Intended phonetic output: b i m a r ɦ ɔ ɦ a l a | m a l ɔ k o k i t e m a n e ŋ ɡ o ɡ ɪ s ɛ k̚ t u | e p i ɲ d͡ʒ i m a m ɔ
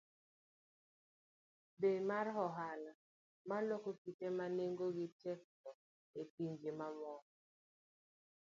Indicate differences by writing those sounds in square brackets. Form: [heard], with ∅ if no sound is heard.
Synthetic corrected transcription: b [e] m a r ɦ ɔ ɦ a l a | m a l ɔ k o k i t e m a n e ŋ ɡ o ɡ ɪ [t] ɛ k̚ t [ɔ] | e p i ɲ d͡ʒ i m a m ɔ